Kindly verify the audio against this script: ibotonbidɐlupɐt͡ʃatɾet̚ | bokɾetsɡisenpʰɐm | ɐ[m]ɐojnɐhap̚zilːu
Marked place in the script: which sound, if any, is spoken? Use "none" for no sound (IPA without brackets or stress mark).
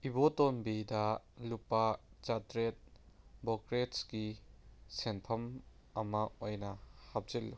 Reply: m